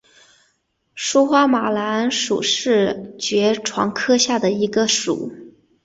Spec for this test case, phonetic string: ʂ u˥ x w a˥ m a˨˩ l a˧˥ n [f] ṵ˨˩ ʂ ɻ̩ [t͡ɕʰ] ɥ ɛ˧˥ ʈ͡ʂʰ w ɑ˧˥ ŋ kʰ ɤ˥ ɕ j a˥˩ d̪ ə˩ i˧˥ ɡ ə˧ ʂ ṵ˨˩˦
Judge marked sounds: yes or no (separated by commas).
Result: no, no